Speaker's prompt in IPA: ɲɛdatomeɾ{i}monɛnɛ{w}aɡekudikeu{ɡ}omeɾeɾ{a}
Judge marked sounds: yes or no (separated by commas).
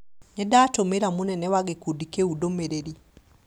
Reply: no, yes, no, no